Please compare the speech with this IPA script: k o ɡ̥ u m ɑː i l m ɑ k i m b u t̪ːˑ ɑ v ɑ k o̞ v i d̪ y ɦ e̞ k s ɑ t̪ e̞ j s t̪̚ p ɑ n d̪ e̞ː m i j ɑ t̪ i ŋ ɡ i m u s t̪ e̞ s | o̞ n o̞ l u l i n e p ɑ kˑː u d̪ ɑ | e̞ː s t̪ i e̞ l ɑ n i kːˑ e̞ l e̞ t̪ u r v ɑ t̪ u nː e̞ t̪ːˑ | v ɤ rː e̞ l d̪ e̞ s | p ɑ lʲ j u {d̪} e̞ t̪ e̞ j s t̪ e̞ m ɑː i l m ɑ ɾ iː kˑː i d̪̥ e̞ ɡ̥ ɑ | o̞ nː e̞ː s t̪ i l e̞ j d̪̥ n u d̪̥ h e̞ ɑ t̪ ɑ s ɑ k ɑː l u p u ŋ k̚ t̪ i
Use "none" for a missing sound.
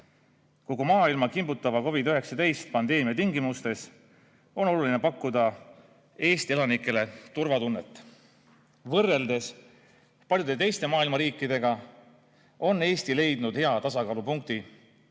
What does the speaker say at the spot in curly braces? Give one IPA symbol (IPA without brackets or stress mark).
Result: d̪